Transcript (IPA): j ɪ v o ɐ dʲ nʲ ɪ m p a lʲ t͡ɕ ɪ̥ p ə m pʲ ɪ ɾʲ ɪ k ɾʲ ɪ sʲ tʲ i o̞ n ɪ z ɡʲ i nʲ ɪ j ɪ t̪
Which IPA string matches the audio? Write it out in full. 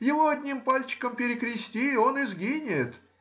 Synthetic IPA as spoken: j ɪ v o ɐ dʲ nʲ i m p a lʲ t͡ɕ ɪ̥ k ə m pʲ ɪ ɾʲ ɪ k ɾʲ ɪ sʲ tʲ i o̞ n ɪ z ɡʲ i nʲ ɪ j ɪ t̪